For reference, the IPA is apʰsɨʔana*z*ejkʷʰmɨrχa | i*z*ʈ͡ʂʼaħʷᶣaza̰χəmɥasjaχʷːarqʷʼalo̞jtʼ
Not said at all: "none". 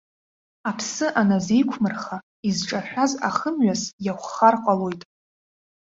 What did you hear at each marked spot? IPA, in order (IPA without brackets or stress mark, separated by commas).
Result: z, z